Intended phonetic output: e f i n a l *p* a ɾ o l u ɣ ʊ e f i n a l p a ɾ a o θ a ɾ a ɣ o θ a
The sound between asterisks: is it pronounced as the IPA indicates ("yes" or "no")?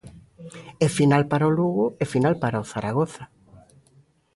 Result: yes